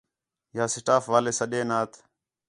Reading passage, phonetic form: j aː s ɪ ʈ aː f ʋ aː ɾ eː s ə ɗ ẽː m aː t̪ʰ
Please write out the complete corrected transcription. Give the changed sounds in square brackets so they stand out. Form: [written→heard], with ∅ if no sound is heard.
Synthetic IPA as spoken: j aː s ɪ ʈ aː f ʋ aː [ɾ→l] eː s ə ɗ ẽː [m→n] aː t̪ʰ